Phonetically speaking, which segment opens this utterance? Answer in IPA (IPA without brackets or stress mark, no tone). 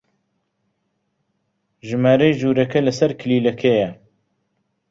ʒ